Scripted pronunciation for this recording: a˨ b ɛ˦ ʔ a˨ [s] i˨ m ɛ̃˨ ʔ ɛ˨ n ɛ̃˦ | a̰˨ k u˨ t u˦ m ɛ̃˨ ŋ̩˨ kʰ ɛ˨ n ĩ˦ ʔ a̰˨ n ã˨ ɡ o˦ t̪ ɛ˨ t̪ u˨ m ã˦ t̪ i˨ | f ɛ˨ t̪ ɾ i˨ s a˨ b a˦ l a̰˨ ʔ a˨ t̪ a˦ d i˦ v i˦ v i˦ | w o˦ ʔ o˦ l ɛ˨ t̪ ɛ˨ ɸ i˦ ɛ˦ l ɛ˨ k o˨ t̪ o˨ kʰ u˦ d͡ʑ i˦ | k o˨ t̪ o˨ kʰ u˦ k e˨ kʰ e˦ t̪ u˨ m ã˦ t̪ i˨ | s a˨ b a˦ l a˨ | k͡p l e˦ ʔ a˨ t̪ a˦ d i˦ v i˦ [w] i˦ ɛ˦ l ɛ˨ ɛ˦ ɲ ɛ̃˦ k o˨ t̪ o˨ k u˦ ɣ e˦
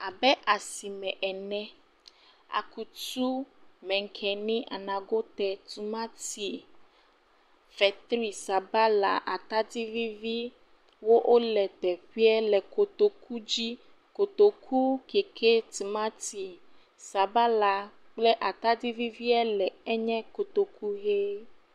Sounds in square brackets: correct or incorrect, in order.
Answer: correct, incorrect: v

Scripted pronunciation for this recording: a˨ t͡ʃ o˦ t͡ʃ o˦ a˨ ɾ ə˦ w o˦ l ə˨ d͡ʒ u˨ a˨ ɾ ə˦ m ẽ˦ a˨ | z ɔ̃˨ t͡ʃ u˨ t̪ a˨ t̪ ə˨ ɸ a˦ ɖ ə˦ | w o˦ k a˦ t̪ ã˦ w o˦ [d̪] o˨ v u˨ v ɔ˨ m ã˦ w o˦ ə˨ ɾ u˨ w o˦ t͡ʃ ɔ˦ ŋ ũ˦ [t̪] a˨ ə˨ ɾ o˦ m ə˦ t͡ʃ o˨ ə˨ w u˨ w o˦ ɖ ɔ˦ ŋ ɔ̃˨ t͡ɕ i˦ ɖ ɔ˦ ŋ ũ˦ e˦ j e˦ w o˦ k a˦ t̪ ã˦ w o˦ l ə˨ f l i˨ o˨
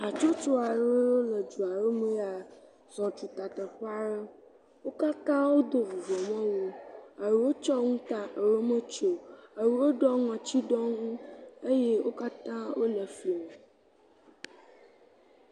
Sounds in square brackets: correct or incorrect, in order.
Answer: correct, correct

